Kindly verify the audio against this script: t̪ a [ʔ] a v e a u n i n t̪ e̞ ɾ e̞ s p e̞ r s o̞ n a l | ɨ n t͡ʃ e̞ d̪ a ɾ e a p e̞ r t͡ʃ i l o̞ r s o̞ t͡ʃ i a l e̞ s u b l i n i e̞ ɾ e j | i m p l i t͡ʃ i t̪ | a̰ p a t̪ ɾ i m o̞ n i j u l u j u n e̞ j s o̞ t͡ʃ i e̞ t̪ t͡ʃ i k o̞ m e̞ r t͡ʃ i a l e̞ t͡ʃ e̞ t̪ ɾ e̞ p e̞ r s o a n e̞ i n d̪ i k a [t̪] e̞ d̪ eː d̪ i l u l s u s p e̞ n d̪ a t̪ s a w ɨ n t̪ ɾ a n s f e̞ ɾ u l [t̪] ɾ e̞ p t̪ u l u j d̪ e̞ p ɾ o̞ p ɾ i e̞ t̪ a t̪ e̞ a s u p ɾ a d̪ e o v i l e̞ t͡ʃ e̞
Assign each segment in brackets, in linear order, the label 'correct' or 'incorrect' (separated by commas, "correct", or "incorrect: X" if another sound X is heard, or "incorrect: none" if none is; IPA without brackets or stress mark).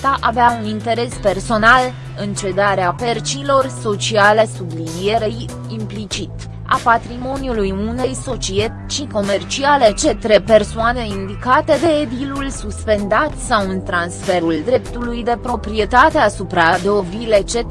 correct, correct, incorrect: d̪